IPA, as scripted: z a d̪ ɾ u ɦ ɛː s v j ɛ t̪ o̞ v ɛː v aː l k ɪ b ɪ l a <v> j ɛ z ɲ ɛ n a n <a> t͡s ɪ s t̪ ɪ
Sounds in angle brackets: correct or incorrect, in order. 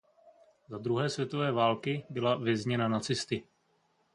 correct, correct

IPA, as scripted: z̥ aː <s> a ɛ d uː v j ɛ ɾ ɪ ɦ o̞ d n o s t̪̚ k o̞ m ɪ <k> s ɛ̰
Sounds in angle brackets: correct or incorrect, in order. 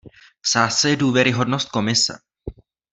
correct, incorrect

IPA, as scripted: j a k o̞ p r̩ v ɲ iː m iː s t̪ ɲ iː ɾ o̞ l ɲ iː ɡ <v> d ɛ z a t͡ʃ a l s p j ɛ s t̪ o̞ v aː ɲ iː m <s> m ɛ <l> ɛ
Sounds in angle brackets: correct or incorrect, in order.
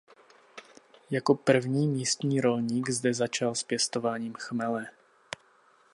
incorrect, incorrect, correct

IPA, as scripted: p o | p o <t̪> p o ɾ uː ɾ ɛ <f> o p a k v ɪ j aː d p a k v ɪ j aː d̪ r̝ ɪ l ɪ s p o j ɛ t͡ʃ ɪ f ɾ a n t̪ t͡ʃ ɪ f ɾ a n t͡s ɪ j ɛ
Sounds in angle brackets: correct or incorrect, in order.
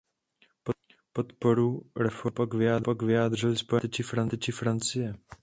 correct, correct

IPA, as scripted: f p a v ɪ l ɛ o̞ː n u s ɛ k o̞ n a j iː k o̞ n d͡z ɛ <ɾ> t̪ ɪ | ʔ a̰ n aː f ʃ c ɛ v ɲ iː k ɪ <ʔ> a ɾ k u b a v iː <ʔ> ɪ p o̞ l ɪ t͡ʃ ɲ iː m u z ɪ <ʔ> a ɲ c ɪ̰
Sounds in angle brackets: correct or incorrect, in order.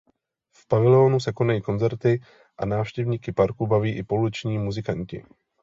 correct, incorrect, correct, incorrect

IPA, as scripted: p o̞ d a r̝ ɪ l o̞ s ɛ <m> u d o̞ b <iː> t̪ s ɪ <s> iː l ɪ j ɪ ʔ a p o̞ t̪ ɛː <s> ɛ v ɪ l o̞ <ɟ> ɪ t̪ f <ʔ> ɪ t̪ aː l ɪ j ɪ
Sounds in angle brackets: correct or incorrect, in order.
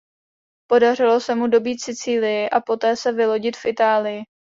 correct, correct, incorrect, correct, correct, correct

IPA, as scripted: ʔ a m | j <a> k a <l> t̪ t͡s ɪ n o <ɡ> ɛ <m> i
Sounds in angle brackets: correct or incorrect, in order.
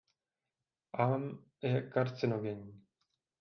incorrect, incorrect, correct, incorrect

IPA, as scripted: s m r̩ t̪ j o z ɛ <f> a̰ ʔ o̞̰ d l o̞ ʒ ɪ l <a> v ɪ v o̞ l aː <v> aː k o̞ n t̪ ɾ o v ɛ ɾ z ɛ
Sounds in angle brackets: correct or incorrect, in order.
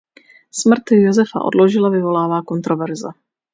correct, correct, correct

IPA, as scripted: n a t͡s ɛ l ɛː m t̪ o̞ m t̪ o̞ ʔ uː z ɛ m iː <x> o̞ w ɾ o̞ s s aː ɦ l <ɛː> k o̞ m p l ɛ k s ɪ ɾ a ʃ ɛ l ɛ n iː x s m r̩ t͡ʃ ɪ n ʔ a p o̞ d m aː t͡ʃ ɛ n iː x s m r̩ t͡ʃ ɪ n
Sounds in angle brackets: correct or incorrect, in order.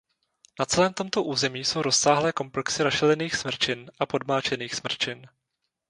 incorrect, correct

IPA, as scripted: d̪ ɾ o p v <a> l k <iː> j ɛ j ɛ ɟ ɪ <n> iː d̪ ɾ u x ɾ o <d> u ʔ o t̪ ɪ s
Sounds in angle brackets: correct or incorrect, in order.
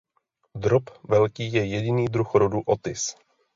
incorrect, correct, correct, correct

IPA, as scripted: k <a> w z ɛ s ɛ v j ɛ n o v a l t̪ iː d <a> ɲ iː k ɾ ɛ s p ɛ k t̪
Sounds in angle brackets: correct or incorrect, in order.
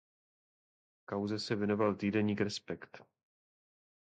correct, incorrect

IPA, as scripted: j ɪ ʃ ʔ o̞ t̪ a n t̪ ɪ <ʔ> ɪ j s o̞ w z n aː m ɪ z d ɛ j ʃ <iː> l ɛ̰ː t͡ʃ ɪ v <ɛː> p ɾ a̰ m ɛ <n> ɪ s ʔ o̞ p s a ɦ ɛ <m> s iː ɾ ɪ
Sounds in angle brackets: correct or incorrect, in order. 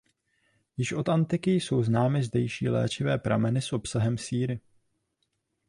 incorrect, correct, correct, correct, correct

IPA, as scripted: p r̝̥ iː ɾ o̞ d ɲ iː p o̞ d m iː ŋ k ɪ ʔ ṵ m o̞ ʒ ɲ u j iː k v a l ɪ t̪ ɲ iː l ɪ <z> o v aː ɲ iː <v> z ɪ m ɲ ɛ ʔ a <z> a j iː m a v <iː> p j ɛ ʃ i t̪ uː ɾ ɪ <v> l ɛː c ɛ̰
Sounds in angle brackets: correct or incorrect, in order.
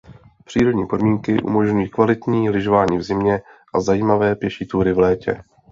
incorrect, correct, correct, incorrect, correct

